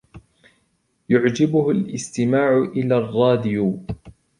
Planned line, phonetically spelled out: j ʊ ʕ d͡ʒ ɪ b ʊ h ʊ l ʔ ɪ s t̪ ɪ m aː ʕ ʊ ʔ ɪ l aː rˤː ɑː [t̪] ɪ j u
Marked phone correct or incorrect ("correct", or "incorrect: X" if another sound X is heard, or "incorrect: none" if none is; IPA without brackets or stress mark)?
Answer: incorrect: d̪